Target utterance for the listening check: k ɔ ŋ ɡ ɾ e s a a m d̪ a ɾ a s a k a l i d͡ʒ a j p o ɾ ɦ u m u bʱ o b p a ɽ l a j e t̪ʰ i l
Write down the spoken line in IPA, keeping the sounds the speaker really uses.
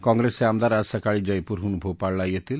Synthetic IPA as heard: k ɔ ŋ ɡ ɾ e s e a m d̪ a ɾ a s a k a ɭ i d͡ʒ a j p u ɾ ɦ u n u bʱ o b p a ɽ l a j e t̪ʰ i l